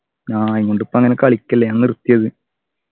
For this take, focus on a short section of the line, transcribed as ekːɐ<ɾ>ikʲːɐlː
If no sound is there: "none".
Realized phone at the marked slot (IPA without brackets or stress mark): ɭ